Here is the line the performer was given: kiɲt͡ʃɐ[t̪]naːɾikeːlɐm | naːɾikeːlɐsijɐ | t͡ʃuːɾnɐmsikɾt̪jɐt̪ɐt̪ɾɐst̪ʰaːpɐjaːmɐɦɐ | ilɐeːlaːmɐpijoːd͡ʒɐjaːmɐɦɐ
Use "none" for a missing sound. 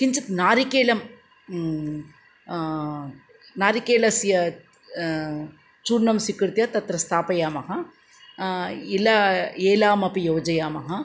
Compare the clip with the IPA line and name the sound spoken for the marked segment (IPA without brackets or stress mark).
t̪